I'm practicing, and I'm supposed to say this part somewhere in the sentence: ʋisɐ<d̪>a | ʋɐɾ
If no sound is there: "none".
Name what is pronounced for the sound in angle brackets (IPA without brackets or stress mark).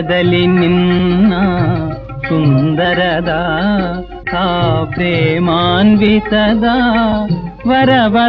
d̪